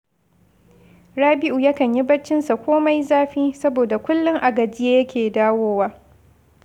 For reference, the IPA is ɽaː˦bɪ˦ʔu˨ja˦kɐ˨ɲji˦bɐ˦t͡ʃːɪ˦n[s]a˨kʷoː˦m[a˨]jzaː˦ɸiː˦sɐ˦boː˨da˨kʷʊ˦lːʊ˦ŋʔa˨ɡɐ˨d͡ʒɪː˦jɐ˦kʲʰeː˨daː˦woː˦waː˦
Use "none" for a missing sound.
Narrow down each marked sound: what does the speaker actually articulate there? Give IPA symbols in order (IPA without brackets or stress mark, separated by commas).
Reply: s, a˦